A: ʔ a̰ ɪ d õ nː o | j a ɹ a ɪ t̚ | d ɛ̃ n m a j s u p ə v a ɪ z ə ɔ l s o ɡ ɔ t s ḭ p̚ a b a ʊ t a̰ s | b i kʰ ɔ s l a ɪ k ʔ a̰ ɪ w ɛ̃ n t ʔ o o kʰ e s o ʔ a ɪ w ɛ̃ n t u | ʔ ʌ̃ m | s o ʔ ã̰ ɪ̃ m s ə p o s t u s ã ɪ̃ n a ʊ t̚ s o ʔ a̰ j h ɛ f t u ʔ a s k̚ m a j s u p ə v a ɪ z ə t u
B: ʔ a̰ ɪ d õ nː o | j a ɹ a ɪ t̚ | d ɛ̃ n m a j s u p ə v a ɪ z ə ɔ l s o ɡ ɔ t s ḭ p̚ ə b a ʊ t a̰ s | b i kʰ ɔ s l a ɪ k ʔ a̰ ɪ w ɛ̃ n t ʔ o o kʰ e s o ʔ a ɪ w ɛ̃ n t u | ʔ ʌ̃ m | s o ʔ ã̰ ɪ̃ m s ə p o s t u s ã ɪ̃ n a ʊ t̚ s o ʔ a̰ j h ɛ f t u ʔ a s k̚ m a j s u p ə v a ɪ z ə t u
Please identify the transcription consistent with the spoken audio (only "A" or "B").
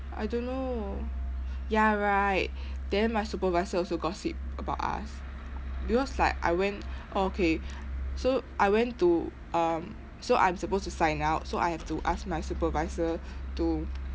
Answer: B